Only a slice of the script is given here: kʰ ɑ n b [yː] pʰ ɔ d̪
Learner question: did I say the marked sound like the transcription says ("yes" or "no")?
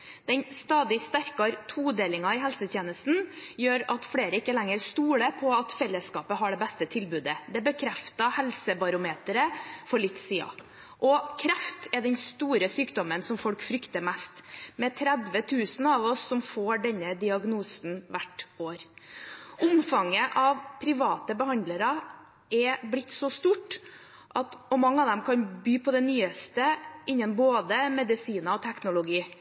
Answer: yes